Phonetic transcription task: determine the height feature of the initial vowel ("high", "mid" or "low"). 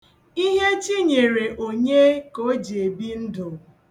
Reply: high